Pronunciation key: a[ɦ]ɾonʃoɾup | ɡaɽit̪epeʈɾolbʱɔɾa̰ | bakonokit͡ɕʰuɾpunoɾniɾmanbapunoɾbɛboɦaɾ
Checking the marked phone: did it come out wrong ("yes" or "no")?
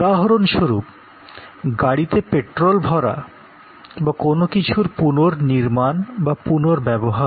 no